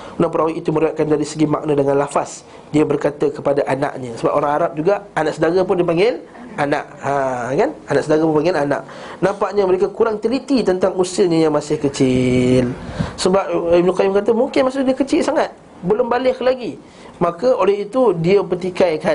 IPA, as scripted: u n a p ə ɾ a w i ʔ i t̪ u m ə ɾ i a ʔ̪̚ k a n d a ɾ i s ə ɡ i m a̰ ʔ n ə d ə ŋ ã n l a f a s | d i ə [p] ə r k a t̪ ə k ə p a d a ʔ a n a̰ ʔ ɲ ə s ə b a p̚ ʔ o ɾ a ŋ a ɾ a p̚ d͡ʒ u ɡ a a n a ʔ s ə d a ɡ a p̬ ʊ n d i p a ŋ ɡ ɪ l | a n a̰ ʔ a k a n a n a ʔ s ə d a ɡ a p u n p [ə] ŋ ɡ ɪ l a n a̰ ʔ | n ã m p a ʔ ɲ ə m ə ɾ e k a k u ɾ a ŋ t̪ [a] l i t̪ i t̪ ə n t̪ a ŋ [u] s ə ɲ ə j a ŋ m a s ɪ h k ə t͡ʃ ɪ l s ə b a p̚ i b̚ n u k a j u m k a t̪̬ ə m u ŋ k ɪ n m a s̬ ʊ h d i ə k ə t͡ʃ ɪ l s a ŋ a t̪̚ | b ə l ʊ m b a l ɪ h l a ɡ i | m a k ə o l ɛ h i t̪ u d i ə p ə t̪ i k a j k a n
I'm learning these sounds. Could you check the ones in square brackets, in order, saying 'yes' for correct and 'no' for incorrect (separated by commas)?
no, no, no, yes